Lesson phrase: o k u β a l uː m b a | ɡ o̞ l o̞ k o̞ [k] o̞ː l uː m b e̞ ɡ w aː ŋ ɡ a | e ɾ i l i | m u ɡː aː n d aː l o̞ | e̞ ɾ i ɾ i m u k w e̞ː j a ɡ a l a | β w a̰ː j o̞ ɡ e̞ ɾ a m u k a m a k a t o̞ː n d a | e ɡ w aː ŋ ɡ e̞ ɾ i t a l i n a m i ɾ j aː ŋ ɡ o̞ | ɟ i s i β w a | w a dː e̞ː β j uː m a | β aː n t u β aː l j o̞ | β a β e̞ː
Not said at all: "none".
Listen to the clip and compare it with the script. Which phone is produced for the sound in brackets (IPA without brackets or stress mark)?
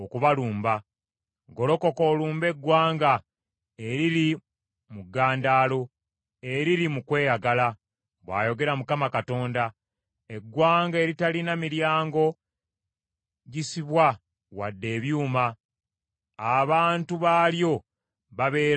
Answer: k